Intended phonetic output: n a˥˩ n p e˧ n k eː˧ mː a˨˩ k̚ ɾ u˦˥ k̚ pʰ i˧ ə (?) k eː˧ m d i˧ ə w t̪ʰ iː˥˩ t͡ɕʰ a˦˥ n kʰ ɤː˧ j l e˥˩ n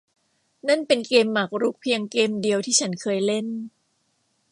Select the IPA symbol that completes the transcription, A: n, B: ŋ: B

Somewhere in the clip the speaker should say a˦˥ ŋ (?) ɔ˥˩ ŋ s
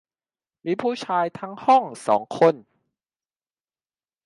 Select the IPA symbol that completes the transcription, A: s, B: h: B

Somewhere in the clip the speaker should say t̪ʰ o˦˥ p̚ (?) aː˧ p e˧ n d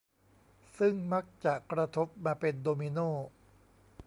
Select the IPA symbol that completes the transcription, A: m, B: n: A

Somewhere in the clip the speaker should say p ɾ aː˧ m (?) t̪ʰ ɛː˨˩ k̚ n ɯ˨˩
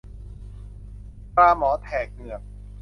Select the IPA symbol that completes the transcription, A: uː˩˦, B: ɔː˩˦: B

